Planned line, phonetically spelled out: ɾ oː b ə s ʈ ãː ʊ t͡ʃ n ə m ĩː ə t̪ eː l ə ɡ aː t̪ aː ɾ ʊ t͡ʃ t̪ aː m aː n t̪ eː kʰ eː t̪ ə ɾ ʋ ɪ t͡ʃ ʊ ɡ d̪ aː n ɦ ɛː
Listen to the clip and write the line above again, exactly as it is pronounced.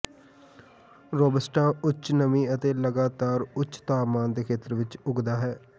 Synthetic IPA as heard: ɾ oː b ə s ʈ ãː ʊ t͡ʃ n ə m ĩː ə t̪ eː l ə ɡ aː t̪ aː ɾ ʊ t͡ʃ t̪ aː m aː n d̪ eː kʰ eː t̪ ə ɾ ʋ ɪ t͡ʃ ʊ ɡ d̪ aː ɦ ɛː